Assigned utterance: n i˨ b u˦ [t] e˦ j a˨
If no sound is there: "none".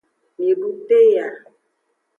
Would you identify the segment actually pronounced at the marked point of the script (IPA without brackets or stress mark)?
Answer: t